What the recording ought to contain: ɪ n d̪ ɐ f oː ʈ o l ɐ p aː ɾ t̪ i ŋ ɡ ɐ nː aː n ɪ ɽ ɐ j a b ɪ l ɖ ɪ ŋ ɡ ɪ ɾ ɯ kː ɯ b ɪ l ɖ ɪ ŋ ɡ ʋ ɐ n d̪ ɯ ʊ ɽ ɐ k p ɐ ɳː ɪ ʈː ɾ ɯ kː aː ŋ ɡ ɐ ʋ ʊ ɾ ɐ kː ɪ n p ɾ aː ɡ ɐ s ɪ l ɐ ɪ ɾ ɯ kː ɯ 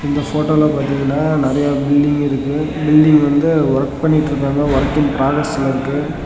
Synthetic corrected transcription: ɪ n d̪ ɐ f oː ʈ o l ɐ p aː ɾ t̪ i ŋ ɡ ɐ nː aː n ɪ ɾ ɐ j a b ɪ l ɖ ɪ ŋ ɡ ɪ ɾ ɯ kː ɯ b ɪ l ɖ ɪ ŋ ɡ ʋ ɐ n d̪ ɯ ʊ ɾ ɐ k p ɐ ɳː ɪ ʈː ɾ ɯ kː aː ŋ ɡ ɐ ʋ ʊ ɾ ɐ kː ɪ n p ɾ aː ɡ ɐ s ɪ l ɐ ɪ ɾ ɯ kː ɯ